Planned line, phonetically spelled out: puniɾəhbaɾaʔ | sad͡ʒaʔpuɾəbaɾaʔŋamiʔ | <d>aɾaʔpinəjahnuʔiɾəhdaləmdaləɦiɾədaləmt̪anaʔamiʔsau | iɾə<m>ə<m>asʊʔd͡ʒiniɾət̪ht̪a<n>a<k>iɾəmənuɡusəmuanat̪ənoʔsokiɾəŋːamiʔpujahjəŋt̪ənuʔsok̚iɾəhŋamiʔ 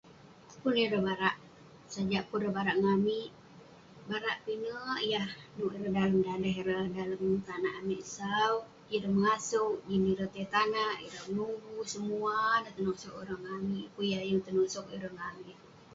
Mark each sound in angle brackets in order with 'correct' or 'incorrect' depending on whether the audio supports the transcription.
incorrect: b, correct, incorrect: ŋ, correct, incorrect: ʔ

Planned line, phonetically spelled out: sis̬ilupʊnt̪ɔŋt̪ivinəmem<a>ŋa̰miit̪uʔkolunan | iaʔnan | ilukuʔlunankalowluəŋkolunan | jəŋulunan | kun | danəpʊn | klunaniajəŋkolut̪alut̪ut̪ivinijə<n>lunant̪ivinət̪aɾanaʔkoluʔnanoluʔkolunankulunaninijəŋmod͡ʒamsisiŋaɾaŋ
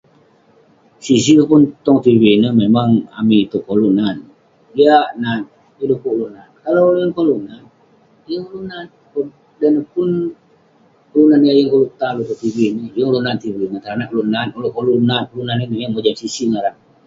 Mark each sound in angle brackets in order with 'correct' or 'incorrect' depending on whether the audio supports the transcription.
correct, incorrect: ŋ

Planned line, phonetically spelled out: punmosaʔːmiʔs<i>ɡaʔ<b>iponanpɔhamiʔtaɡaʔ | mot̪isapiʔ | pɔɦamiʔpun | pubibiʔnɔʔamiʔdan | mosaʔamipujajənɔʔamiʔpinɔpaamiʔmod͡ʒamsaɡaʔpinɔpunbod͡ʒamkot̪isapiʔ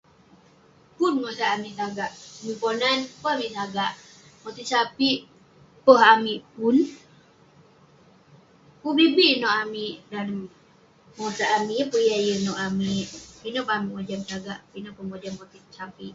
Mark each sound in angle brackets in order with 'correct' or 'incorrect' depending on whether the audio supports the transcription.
incorrect: a, incorrect: m

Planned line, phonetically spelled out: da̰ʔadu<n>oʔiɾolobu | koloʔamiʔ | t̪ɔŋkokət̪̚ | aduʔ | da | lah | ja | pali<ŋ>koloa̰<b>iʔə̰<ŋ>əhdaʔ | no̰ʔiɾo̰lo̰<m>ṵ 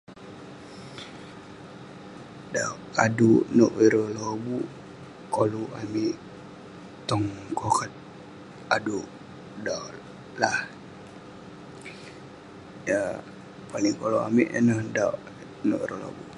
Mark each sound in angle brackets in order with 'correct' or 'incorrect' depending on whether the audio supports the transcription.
correct, correct, incorrect: m, incorrect: n, incorrect: b

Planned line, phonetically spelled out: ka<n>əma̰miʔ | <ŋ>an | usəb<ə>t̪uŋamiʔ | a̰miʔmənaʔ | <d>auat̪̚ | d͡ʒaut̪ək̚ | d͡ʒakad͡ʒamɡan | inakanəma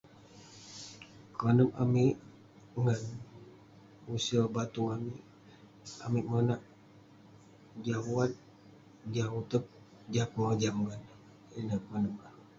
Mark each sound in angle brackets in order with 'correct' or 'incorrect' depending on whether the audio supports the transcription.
correct, correct, incorrect: a, incorrect: d͡ʒ

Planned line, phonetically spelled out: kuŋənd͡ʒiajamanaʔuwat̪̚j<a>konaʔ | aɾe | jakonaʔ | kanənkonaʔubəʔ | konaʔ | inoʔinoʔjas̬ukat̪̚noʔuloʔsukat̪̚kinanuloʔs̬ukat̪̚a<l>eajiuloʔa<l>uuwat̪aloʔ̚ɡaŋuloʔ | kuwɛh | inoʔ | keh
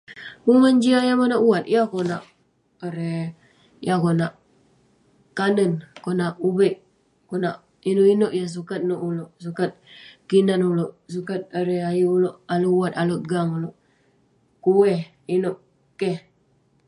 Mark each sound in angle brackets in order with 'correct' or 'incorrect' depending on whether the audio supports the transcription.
correct, incorrect: ɾ, correct

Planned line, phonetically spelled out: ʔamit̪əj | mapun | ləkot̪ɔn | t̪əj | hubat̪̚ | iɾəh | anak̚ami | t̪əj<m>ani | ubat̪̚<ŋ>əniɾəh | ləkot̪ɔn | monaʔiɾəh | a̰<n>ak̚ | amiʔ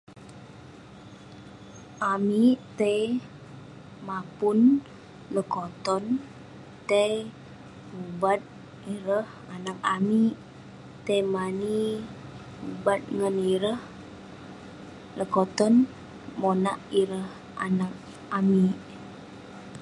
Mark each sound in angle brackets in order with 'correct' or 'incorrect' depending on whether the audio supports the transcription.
correct, correct, correct

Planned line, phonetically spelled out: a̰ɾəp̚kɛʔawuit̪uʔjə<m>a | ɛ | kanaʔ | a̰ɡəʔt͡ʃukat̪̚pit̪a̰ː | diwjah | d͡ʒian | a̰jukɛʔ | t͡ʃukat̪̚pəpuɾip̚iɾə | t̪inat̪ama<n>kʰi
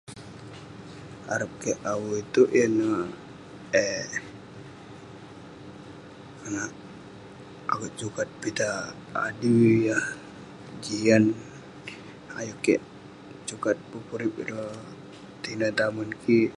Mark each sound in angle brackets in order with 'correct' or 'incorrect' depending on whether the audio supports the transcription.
incorrect: n, correct

